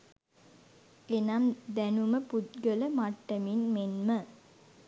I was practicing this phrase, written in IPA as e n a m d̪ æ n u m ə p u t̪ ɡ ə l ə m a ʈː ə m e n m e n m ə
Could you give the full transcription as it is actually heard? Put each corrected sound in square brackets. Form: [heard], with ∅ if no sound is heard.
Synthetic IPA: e n a m d̪ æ n u m ə p u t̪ ɡ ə l ə m a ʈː ə m [i] n m e n m ə